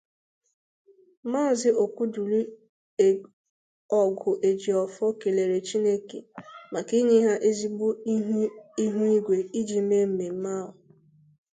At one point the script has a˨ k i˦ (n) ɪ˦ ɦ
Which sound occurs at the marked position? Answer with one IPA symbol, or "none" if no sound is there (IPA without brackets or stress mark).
ɲ